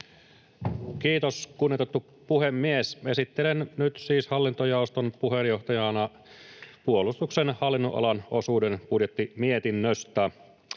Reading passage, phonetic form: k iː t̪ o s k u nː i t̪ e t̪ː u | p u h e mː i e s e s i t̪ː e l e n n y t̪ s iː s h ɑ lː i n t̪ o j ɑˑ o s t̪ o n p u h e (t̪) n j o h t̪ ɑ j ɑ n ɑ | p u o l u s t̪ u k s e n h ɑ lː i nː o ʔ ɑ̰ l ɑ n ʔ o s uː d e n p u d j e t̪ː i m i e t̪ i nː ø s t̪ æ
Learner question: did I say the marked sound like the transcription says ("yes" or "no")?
no